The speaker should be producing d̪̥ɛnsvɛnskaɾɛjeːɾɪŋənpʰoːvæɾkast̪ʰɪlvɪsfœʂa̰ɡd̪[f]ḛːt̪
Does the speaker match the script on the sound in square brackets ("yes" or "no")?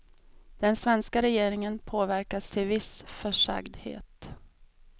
no